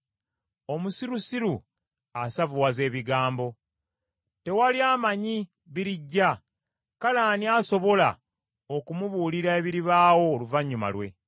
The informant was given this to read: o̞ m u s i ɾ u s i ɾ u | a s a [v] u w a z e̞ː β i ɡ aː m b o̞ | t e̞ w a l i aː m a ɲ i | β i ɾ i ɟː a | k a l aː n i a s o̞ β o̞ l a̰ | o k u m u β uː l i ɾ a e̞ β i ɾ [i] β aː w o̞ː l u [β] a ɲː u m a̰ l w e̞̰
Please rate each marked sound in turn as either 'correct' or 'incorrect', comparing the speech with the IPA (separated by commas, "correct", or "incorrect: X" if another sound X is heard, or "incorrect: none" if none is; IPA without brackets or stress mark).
correct, correct, incorrect: v